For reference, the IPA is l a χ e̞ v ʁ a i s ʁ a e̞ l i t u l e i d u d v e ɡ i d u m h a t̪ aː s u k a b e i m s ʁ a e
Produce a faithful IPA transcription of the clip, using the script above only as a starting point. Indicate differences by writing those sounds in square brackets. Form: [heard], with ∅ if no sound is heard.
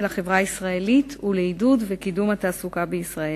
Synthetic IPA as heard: l a χ e̞ v ʁ a i s ʁ a e̞ l i t u l e i d u d v e [k] i d u m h a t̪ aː s u k a b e i [∅] s ʁ a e